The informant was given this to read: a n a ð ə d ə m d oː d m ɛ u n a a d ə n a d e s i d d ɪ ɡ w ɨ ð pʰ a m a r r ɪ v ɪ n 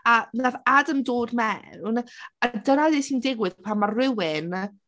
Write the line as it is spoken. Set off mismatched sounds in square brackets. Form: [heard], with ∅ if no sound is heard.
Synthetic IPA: a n a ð [a] d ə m d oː d m ɛ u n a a d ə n a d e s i [n] d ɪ ɡ w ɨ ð pʰ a m a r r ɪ [w] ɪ n